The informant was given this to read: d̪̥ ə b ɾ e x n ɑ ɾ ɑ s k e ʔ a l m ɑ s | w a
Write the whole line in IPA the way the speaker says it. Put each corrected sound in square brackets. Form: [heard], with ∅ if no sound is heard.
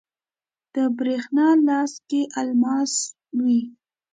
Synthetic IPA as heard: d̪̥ ə b ɾ e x n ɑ [l] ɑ s k e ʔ a l m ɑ s | w [i]